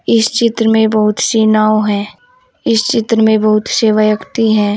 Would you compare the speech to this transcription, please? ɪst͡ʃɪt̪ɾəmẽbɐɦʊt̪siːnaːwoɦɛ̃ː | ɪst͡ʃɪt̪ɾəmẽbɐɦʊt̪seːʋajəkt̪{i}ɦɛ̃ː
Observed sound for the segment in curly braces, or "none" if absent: i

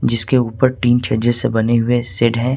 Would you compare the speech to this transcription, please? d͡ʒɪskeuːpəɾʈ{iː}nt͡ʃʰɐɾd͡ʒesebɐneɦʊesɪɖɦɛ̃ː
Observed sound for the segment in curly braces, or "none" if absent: iː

